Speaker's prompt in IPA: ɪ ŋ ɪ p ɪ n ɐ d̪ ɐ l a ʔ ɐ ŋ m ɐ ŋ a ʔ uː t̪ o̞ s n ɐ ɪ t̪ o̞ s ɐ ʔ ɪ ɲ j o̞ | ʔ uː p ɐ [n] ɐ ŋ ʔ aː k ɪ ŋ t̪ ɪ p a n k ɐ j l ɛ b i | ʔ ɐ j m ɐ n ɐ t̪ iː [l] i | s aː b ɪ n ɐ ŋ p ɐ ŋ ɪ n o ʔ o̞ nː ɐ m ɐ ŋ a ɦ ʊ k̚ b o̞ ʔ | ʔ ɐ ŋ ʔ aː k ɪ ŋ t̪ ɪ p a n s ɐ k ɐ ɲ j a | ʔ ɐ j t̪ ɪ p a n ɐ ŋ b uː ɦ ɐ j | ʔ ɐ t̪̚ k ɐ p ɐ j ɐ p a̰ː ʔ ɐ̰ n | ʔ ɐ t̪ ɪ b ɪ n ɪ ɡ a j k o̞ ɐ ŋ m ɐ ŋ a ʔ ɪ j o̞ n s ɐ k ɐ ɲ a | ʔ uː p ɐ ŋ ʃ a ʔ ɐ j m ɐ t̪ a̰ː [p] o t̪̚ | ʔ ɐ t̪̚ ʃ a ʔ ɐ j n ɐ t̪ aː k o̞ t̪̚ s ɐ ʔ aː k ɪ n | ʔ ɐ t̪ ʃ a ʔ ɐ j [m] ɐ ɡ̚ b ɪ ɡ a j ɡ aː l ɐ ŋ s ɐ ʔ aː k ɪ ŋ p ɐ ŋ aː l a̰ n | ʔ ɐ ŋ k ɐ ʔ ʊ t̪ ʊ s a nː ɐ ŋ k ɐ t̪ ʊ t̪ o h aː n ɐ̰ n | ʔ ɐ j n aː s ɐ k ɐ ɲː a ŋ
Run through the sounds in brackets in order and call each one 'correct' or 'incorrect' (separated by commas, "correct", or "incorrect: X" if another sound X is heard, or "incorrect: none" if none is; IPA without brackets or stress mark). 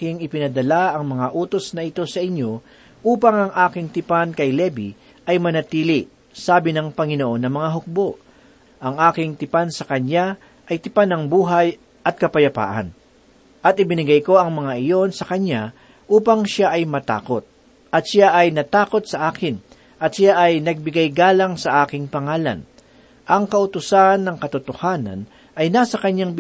incorrect: ŋ, correct, incorrect: k, incorrect: n